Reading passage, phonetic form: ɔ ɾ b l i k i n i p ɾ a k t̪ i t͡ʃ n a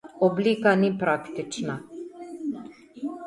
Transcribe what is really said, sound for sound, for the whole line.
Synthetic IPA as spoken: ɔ b l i k a n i p ɾ a k t̪ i t͡ʃ n a

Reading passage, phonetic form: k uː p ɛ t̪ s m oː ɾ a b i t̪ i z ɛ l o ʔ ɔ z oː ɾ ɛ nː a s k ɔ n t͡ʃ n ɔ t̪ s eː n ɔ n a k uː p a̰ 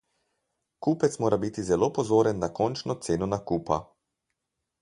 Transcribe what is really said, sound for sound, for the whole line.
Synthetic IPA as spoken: k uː p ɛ t̪ s m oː ɾ a b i t̪ i z ɛ l o p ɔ z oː ɾ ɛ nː a k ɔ n t͡ʃ n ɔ t̪ s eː n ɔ n a k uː p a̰

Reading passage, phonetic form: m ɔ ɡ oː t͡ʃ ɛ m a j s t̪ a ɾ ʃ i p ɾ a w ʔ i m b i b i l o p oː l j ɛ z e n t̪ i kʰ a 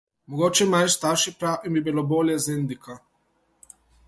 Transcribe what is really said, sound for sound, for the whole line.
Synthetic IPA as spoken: m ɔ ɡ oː t͡ʃ ɛ m a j s t̪ a ɾ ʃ i p ɾ a w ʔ i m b i b i l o b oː l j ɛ z e n d̪ i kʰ a

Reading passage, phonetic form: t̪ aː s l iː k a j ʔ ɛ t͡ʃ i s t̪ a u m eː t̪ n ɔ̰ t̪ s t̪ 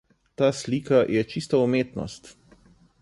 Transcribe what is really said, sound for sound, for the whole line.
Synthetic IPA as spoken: t̪ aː s l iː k a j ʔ ɛ t͡ʃ i s t̪ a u m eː t̪ n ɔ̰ s t̪

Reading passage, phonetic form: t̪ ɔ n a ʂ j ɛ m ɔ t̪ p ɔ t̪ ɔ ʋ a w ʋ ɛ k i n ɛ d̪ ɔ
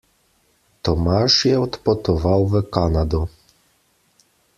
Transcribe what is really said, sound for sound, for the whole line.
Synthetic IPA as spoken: t̪ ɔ m a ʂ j ɛ ɔ t̪ p ɔ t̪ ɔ v a w v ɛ k a n a d̪ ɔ

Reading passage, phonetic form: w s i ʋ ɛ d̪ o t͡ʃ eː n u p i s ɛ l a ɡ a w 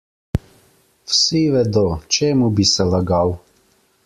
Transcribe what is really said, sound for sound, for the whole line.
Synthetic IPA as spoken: w s i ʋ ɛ d̪ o t͡ʃ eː m u b i s ɛ l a ɡ a w

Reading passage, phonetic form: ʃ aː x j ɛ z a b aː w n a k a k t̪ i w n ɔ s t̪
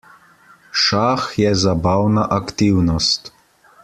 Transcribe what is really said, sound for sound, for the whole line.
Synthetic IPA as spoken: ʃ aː x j ɛ z a b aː w n a ʔ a k t̪ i w n ɔ s t̪

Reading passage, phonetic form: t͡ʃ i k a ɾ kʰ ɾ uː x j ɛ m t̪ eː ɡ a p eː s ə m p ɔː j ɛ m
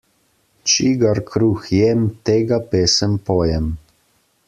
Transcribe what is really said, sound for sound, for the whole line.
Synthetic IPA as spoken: t͡ʃ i ɡ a ɾ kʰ ɾ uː x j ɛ m t̪ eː ɡ a p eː s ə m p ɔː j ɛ m

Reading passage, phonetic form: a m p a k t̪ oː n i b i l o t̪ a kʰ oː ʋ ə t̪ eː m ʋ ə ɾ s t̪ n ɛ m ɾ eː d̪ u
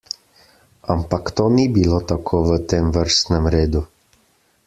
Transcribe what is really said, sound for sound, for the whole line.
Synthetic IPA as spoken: a m p a k t̪ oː n i b i l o t̪ a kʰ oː ʋ ə t̪ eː m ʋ ə ɾ s t̪ n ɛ m ɾ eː d̪ u

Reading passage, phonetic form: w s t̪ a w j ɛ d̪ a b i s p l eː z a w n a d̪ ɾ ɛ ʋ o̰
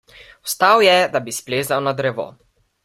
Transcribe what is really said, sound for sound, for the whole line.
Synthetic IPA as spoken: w s t̪ a w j ɛ d̪ a b i s p l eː z a w n a d̪ ɾ ɛ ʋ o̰

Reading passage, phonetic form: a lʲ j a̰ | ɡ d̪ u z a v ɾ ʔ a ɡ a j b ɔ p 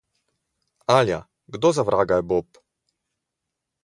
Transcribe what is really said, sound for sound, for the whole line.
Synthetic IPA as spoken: a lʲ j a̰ | ɡ d̪ ɔ z a v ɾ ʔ a ɡ a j b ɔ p

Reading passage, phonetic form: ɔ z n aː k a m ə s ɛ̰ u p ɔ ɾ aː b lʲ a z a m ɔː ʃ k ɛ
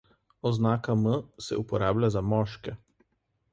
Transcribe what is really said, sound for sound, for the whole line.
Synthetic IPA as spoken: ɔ z n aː k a m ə s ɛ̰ u p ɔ ɾ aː b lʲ a z a m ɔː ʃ k ɛ

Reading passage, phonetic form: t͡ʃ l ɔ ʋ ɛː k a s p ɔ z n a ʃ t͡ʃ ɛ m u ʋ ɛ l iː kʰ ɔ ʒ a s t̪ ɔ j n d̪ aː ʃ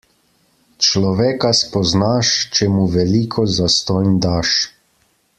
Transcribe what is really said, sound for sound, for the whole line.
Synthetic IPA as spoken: t͡ʃ l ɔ ʋ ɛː k a s p ɔ z n a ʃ t͡ʃ ɛ m u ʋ ɛ l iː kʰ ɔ z a s t̪ ɔ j n d̪ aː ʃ

